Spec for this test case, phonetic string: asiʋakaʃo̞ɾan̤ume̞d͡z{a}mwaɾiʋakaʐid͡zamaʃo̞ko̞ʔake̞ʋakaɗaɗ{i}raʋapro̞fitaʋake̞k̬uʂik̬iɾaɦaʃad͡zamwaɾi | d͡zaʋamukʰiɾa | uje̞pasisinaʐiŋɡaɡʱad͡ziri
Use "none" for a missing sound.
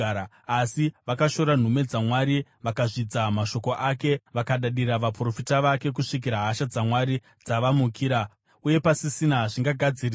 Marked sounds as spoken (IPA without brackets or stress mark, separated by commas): a, i